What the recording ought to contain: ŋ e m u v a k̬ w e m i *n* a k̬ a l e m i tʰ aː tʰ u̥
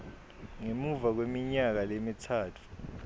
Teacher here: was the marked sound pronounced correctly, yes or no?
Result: no